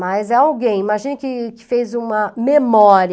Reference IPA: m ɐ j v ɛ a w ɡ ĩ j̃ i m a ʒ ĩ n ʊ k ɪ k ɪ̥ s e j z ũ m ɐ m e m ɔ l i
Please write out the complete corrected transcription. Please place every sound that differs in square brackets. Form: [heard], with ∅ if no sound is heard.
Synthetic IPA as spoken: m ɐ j [z] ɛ a w ɡ [ẽ] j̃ i m a ʒ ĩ n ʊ k ɪ k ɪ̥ [f] e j z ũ m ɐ m e m ɔ [ɾ] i